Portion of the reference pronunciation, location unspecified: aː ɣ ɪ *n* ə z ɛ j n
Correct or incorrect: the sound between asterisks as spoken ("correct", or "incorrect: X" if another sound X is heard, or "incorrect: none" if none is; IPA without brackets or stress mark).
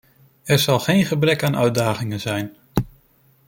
incorrect: ŋ